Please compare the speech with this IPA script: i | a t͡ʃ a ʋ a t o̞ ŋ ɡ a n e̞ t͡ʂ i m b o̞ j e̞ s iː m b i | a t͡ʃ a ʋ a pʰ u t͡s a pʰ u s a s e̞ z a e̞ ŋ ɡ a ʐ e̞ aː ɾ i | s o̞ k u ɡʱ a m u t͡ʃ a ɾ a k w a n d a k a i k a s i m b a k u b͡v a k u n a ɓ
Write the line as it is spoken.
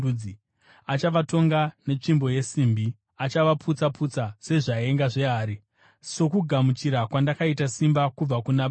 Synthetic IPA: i | a t͡ʃ a ʋ a t o̞ ŋ ɡ a n e̞ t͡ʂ i m b o̞ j e̞ s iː m b i | a t͡ʃ a ʋ a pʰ u t͡s a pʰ u t͡s a s e̞ ʐ a e̞ ŋ ɡ a ʐ e̞ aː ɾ i | s o̞ k u ɡʱ a m u t͡ʃ i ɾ a k w a n d a k a i t a s i m b a k u b͡v a k u n a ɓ